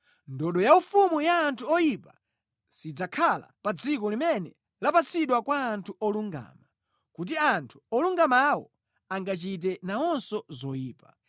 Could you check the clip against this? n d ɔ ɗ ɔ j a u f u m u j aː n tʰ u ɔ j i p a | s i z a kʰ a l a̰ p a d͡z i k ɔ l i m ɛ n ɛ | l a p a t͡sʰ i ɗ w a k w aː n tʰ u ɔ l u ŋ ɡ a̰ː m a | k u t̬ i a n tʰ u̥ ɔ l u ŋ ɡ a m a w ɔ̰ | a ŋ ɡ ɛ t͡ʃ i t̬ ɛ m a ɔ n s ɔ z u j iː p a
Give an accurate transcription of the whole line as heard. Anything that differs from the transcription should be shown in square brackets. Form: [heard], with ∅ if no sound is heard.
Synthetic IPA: n d ɔ ɗ ɔ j a u f u m u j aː n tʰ u ɔ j i p a | s i [d͡z] a kʰ a l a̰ p a d͡z i k ɔ l i m ɛ n ɛ | l a p a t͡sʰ i ɗ w a k w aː n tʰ u ɔ l u ŋ ɡ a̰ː m a | k u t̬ i a n tʰ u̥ ɔ l u ŋ ɡ a m a w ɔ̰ | a ŋ ɡ [a] t͡ʃ i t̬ ɛ [n] a ɔ n s ɔ z [ɔ] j iː p a